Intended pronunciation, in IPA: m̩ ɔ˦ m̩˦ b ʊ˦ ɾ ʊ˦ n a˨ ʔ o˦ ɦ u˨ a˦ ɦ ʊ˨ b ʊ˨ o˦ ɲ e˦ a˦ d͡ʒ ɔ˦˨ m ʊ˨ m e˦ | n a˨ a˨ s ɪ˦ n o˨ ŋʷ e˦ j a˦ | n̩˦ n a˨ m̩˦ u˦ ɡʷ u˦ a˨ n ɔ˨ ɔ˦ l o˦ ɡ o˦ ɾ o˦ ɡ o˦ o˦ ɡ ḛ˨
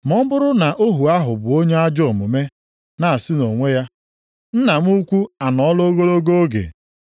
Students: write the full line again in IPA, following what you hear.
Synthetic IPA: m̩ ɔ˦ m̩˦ b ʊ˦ ɾ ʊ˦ n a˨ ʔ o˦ ɦ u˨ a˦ ɦ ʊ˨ b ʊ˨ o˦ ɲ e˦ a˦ d͡ʒ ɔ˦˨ m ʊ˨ m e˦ | n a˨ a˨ s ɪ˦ n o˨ ŋʷ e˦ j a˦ | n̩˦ n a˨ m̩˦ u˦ kʷ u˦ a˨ n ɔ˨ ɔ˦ l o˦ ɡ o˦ ɾ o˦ ɡ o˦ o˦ ɡ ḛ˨